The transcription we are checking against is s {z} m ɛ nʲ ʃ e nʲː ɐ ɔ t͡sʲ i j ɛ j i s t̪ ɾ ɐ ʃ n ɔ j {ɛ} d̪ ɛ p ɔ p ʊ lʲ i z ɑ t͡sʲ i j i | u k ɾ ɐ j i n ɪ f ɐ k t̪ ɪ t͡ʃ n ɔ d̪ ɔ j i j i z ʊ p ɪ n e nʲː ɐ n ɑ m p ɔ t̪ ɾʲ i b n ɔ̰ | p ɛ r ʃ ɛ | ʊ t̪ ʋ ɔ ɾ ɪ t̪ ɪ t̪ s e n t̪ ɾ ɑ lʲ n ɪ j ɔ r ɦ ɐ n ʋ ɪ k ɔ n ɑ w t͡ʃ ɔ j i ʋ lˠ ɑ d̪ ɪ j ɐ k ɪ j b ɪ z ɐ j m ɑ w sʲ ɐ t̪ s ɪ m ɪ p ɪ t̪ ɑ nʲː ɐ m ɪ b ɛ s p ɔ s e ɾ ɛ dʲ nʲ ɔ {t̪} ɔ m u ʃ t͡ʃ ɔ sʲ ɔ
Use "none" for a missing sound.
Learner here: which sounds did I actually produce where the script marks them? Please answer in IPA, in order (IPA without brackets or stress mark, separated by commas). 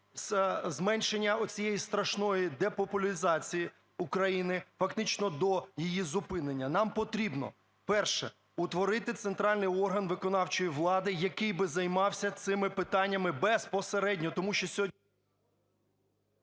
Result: z, i, t̪